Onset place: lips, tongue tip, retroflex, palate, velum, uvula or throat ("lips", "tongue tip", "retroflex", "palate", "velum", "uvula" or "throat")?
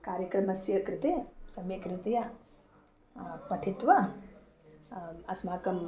velum